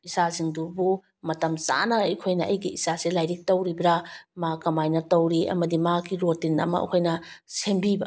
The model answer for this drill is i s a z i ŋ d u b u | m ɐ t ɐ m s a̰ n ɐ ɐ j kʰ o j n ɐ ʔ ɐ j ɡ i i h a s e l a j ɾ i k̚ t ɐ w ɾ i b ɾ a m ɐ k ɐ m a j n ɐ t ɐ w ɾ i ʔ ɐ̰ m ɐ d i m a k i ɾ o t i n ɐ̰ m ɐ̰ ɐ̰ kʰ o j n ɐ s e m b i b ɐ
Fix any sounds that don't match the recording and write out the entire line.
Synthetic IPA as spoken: i s a z i ŋ d u b u | m ɐ t ɐ m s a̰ n ɐ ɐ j kʰ o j n ɐ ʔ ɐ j ɡ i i s a s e l a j ɾ i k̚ t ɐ w ɾ i b ɾ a m a k ɐ m a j n ɐ t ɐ w ɾ i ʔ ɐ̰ m ɐ d i m a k i ɾ o t i n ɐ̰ m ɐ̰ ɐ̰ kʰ o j n ɐ s e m b i b ɐ